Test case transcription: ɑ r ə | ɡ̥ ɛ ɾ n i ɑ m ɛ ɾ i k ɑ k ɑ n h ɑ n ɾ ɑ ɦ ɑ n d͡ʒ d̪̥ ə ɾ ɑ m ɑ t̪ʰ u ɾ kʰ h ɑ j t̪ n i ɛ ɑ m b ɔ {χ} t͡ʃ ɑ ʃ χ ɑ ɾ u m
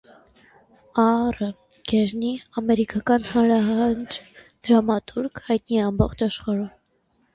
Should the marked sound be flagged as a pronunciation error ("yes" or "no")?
no